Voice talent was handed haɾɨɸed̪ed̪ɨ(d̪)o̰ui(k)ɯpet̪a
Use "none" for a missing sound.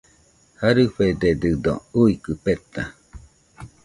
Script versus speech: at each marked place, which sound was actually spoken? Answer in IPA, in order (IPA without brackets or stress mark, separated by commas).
d̪, k